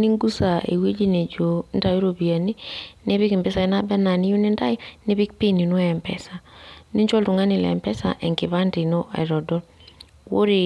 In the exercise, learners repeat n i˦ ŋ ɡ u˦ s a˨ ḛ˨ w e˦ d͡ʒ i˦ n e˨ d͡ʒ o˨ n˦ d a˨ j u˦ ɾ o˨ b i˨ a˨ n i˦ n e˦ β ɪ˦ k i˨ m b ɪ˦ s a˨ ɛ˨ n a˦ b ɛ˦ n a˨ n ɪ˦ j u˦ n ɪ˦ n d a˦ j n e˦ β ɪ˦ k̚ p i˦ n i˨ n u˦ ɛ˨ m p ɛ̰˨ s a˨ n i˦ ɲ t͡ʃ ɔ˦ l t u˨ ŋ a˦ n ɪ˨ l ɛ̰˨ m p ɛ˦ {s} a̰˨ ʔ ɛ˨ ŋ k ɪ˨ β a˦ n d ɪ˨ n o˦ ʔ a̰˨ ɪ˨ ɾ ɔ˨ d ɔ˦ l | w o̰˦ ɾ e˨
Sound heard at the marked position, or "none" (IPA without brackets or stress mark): s